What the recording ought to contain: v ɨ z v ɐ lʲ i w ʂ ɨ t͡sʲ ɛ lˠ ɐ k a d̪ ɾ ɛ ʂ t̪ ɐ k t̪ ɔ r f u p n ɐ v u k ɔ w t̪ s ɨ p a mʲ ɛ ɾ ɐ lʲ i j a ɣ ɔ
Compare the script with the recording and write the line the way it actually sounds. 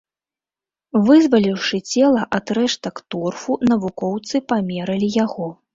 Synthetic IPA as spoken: v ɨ z v ɐ lʲ i w ʂ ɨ t͡sʲ ɛ lˠ ɐ ʔ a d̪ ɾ ɛ ʂ t̪ ɐ k t̪ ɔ r f u n ɐ v u k ɔ w t̪ s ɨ p a mʲ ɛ ɾ ɐ lʲ i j a ɣ ɔ